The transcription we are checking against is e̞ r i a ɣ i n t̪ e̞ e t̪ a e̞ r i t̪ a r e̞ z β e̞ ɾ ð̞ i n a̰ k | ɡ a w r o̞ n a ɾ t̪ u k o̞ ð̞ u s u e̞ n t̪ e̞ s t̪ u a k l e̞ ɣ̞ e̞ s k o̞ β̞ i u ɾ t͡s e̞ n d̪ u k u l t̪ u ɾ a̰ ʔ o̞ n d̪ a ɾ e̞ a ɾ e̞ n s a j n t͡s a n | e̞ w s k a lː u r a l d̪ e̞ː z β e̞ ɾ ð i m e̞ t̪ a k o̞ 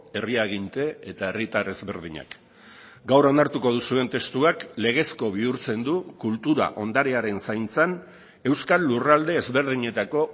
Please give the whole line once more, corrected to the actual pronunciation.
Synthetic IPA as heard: e̞ r i a ɣ i n t̪ e̞ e t̪ a e̞ r i t̪ a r e̞ z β e̞ ɾ ð̞ i ɲ a̰ k | ɡ a w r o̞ n a ɾ t̪ u k o̞ ð̞ u s u e̞ n t̪ e̞ s t̪ u a k l e̞ ɣ̞ e̞ s k o̞ β̞ i u ɾ t͡s e̞ n d̪ u k u l t̪ u ɾ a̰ ʔ o̞ n d̪ a ɾ e̞ a ɾ e̞ n s a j n t͡s a n | e̞ w s k a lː u r a l d̪ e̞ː z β e̞ ɾ ð i ɲ e̞ t̪ a k o̞